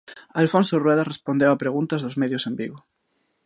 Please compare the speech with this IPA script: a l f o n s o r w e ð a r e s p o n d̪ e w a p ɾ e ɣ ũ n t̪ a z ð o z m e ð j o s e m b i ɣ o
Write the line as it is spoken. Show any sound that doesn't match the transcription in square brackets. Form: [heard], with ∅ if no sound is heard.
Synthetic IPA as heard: a l f o n s o r w e ð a r e s p o n d̪ e w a p ɾ e ɣ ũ n t̪ a z ð o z m e ð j o s e m b i ɣ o